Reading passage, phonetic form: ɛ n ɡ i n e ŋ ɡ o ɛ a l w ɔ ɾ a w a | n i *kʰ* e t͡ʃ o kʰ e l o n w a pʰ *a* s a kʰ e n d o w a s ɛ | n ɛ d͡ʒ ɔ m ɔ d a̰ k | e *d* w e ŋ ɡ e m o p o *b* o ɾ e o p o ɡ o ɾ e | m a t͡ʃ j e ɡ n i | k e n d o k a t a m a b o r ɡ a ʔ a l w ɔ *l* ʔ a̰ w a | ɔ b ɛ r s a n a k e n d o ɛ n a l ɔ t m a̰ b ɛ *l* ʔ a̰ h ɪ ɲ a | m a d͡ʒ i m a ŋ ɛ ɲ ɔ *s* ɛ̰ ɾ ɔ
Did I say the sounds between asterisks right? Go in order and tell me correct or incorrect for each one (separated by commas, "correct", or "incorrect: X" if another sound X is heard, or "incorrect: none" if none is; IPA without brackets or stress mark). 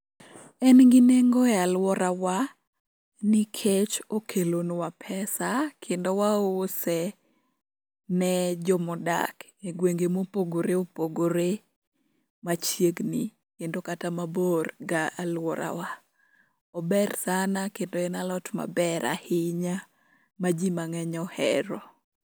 correct, incorrect: ɛ, incorrect: ɡ, incorrect: ɡ, incorrect: ɾ, incorrect: ɾ, incorrect: h